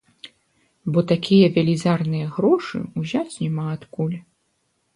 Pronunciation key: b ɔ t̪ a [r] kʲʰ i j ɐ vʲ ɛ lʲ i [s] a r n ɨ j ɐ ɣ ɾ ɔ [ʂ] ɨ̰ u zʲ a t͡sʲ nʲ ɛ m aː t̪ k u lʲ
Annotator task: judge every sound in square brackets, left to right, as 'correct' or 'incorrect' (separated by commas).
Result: incorrect, incorrect, correct